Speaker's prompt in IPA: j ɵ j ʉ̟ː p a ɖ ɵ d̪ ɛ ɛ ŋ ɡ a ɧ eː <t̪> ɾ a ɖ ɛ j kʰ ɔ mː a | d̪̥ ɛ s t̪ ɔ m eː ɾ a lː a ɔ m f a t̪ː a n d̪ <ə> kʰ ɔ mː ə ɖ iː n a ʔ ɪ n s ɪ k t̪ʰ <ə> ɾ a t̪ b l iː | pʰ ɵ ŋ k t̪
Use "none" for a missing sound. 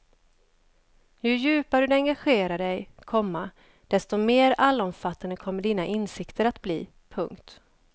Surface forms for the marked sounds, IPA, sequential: none, ə, ə

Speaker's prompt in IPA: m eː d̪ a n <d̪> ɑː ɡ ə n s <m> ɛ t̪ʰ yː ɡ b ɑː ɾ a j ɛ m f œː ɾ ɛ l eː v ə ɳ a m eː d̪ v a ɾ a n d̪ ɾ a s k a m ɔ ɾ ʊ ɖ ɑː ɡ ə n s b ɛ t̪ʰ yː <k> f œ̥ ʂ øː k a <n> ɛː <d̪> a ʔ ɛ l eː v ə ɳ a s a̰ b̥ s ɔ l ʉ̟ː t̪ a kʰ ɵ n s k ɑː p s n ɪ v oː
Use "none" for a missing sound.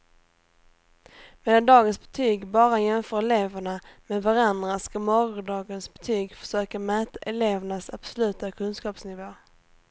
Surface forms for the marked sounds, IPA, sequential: d̪, b, ɡ, m, t̪

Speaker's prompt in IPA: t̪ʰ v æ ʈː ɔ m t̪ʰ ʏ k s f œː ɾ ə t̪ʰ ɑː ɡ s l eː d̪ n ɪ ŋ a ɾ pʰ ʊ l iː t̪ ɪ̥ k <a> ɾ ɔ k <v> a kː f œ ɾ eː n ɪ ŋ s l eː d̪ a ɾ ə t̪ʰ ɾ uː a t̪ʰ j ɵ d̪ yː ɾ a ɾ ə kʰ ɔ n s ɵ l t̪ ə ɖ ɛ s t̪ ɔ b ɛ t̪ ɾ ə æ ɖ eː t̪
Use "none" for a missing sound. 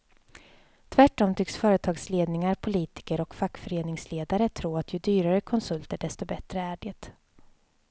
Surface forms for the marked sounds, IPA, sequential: ə, f

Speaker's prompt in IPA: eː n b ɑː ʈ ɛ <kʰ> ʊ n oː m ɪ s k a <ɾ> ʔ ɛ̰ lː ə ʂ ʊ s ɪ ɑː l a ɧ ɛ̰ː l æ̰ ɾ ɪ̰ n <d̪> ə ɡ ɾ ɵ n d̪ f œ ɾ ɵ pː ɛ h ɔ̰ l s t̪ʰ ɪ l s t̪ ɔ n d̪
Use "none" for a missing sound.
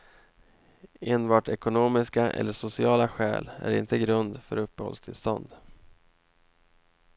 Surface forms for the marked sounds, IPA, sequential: k, none, t̪

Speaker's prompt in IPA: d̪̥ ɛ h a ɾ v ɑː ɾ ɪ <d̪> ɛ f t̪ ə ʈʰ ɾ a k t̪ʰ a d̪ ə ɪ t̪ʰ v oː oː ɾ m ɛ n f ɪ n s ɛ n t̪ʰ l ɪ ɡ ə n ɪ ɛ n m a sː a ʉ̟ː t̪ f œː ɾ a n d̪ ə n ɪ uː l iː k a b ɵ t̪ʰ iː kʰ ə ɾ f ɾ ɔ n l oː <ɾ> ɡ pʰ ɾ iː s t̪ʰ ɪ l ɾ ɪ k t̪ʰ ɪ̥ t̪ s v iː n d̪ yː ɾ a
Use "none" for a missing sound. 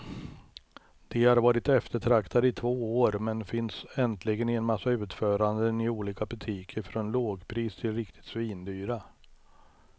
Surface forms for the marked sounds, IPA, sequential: t̪, none

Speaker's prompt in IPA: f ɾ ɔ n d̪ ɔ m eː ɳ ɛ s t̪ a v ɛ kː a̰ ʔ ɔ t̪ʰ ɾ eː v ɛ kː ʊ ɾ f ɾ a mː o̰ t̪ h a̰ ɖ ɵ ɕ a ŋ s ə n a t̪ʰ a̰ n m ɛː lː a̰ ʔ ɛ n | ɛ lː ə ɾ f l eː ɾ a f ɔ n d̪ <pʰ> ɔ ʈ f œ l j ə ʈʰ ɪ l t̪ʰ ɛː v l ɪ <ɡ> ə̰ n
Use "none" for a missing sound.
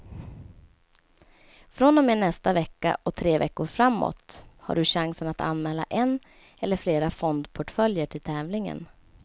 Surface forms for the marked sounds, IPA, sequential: pʰ, ŋ

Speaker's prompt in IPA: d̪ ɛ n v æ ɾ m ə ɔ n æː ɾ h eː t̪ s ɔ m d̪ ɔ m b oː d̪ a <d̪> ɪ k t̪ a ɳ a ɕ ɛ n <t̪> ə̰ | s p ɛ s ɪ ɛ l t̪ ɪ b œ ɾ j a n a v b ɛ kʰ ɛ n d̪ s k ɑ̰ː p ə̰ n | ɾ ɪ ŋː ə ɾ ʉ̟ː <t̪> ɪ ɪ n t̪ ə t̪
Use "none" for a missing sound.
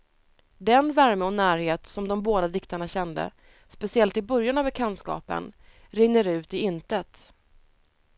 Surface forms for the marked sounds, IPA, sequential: d̪, d̪, t̪

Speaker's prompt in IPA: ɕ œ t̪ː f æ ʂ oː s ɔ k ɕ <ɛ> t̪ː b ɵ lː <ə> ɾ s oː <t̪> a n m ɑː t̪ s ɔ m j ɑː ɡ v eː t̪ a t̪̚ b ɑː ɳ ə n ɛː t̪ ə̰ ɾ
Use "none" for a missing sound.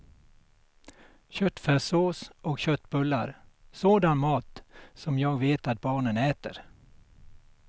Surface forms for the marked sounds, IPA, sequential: œ, a, d̪

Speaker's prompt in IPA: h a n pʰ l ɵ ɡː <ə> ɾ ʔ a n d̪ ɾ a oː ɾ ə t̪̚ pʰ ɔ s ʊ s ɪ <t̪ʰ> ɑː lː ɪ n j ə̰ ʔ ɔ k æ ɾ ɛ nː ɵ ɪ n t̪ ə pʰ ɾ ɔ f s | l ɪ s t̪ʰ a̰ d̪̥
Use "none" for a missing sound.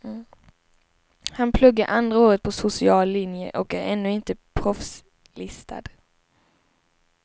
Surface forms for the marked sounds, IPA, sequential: a, none

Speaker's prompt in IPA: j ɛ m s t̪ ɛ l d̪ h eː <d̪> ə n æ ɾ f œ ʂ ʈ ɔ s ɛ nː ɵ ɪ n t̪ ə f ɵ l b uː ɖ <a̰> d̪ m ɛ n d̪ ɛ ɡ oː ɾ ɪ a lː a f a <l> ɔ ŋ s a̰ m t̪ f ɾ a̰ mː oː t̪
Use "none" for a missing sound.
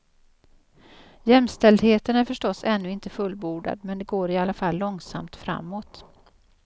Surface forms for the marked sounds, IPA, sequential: t̪, a̰, lː

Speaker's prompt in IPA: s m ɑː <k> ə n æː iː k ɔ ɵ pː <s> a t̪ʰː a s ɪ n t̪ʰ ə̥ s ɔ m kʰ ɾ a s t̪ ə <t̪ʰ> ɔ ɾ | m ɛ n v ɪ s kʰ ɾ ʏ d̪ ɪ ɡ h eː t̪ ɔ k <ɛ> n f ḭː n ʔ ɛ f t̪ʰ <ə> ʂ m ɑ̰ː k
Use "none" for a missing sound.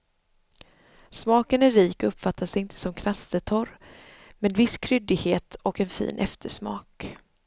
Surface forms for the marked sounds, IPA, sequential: k, f, t̪ʰ, ɛ, ə

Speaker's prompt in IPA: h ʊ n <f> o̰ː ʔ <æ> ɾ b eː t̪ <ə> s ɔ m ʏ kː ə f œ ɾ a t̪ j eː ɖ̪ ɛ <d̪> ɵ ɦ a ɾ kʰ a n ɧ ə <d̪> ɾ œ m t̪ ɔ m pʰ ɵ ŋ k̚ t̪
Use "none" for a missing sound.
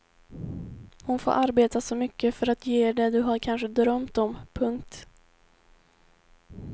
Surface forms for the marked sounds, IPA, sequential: f, a, a, d̪, d̪

